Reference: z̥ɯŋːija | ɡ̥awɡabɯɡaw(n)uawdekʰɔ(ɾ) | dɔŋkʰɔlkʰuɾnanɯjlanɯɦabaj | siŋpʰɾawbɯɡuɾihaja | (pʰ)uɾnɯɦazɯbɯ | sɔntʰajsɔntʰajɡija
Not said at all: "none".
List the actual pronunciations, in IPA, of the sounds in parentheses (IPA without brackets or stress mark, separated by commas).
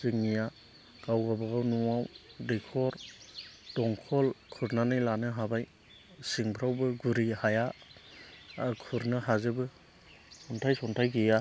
n, ɾ, kʰ